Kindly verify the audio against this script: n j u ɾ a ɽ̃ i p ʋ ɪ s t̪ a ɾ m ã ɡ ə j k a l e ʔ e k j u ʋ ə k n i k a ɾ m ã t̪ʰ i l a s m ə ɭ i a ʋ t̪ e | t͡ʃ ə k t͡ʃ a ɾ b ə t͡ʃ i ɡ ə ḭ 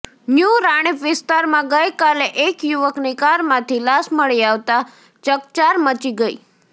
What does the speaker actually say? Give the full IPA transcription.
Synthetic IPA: n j u ɾ a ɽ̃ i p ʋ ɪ s t̪ a ɾ m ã ɡ ə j k a l e ʔ e k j u ʋ ə k n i k a ɾ m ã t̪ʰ i l a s m ə ɭ i a ʋ t̪ a | t͡ʃ ə k t͡ʃ a ɾ m ə t͡ʃ i ɡ ə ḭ